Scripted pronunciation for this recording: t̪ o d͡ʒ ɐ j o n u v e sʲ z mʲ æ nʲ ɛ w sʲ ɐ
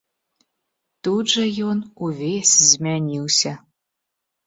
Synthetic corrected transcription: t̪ u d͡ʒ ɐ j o n u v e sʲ z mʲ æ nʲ i w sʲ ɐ